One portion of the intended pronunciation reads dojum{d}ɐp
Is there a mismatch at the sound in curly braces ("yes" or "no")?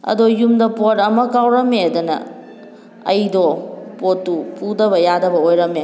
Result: no